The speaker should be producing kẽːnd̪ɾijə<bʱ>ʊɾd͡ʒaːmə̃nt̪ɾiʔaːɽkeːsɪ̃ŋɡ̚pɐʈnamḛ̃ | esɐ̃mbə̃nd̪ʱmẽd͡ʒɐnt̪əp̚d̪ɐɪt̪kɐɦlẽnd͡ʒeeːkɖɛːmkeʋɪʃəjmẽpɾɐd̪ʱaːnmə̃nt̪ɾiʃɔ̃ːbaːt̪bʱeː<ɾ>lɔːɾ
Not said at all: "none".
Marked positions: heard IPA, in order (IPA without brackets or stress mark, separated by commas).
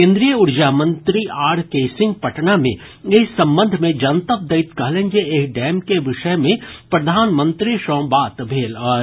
none, none